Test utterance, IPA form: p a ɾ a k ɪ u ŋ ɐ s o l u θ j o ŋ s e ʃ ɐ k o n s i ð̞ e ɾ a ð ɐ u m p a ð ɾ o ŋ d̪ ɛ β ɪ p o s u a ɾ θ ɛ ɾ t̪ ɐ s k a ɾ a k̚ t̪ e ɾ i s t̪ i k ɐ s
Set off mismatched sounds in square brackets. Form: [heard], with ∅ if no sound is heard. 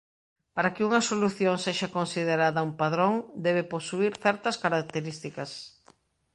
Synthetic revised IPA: p a ɾ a k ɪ u ŋ ɐ s o l u θ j o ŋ s e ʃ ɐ k o n s i ð̞ e ɾ a ð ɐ u m p a ð ɾ o ŋ d̪ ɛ β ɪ p o s u [i] ɾ θ ɛ ɾ t̪ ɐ s k a ɾ a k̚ t̪ e ɾ i s t̪ i k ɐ s